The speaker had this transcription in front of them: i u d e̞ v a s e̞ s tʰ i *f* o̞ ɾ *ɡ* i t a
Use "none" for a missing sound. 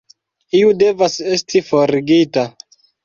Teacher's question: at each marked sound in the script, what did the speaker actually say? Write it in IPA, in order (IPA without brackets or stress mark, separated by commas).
f, ɡ